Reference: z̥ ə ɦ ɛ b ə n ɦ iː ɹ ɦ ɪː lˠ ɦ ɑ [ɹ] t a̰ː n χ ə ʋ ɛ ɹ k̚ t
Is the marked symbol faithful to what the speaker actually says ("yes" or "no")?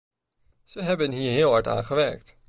yes